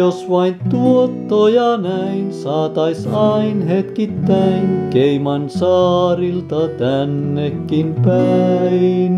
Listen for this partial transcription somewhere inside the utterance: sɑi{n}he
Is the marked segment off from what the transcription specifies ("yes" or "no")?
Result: no